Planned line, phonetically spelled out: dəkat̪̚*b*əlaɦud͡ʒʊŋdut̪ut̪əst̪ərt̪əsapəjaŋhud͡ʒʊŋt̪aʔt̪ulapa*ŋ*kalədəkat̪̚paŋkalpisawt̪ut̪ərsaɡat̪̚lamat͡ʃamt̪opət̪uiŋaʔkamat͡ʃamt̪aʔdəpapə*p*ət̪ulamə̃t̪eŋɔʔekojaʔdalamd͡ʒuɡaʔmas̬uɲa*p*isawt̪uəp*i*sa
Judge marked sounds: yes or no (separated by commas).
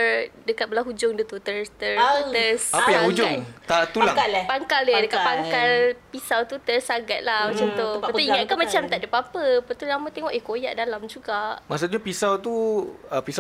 yes, yes, yes, yes, yes